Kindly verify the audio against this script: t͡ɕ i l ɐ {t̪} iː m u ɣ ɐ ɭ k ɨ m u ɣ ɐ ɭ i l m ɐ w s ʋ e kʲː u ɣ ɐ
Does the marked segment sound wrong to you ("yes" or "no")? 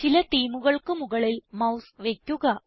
no